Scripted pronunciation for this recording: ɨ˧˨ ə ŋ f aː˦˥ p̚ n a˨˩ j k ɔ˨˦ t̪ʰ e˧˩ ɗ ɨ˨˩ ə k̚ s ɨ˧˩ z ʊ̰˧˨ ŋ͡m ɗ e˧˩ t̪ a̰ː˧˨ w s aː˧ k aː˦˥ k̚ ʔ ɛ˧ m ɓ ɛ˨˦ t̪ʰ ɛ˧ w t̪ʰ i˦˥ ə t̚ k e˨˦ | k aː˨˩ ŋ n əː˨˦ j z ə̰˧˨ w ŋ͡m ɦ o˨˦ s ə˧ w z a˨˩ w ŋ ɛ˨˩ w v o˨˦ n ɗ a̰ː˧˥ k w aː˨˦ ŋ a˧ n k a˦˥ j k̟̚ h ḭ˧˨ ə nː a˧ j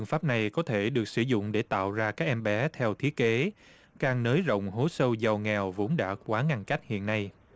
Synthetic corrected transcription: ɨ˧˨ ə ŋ f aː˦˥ p̚ n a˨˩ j k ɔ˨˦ t̪ʰ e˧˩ ɗ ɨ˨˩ ə k̚ s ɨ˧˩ z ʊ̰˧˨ ŋ͡m ɗ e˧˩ t̪ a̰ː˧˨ w z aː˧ k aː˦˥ k̚ ʔ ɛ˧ m ɓ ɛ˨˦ t̪ʰ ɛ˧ w t̪ʰ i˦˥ ə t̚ k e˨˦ | k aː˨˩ ŋ n əː˨˦ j z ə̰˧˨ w ŋ͡m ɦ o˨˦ s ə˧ w z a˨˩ w ŋ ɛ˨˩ w v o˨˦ n ɗ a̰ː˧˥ k w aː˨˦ ŋ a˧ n k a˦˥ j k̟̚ h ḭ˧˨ ə nː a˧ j